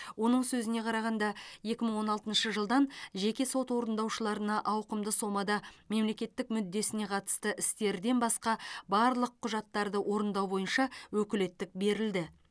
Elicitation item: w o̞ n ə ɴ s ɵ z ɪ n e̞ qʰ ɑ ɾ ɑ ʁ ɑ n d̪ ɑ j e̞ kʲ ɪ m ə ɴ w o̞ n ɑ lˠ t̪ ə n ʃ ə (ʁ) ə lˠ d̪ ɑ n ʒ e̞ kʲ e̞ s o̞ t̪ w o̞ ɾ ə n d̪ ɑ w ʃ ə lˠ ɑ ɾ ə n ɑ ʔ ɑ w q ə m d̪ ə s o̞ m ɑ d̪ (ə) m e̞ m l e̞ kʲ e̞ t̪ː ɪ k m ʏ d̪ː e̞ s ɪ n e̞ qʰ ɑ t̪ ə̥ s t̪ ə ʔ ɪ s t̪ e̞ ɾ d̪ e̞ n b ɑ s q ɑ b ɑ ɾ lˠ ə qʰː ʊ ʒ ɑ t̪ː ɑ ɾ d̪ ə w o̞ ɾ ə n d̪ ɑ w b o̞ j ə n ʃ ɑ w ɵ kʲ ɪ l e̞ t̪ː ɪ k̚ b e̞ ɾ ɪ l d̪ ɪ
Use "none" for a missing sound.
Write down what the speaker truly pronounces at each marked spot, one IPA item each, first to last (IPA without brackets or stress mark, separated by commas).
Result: ʒ, ɑ